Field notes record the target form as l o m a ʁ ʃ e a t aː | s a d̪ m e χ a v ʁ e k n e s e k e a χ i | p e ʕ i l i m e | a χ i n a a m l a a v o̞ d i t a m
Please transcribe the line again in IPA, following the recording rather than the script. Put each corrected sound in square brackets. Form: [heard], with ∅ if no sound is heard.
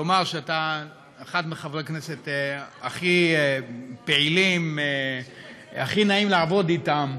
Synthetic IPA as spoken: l o m a ʁ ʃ e a t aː | [χ] a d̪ m e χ a v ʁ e k n e s e [t] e a χ i | p e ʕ i l i m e | a χ i n a [i] m l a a v o̞ d i t a m